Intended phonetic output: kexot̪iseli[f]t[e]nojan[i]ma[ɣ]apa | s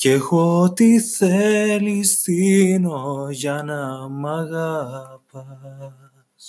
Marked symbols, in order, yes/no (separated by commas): no, no, no, yes